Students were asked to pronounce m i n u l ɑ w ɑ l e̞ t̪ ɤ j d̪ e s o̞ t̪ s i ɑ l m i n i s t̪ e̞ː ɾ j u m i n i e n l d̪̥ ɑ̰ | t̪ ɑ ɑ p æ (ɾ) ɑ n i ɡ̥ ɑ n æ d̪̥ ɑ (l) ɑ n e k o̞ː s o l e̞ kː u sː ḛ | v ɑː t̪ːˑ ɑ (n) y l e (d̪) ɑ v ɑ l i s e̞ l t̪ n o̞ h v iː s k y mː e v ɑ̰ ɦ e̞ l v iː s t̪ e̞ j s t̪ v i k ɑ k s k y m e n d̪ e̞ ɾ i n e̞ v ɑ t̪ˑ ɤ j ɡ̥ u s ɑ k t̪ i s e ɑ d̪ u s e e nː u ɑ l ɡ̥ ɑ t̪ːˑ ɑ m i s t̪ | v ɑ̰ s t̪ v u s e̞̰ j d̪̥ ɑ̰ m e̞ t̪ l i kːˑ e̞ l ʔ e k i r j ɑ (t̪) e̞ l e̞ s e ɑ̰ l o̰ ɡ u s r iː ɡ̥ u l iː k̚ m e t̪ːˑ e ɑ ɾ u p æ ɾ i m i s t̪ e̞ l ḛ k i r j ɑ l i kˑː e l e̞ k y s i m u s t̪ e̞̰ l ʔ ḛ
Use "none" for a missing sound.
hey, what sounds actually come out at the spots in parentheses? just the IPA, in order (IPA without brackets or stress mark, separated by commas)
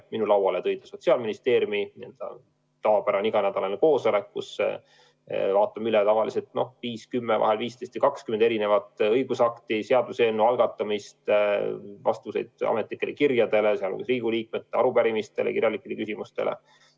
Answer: ɾ, l, m, t̪, d̪